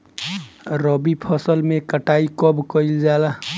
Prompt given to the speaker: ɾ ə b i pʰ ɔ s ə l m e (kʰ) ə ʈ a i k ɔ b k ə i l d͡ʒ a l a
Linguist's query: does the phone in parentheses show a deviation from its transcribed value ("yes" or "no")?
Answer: yes